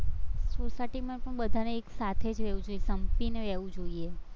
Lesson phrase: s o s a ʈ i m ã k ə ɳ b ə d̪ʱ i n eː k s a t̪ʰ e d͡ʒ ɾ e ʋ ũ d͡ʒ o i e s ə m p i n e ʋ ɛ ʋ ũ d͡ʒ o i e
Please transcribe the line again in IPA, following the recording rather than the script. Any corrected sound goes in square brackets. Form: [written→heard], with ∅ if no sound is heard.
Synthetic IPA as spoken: s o s a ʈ i m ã [k→p] ə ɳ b ə d̪ʱ [i→a] n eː k s a t̪ʰ e d͡ʒ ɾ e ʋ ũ d͡ʒ o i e s ə m p i n e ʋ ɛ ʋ ũ d͡ʒ o i e

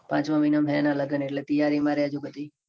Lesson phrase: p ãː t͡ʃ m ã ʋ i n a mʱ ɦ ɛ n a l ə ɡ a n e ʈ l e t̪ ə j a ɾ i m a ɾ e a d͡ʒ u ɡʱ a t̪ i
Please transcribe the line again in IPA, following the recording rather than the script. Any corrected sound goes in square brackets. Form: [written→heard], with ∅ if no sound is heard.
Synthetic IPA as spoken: p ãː t͡ʃ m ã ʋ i n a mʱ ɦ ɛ n a l ə ɡ [a→ə] n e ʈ l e t̪ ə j a ɾ i m a ɾ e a d͡ʒ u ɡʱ [a→ə] t̪ i

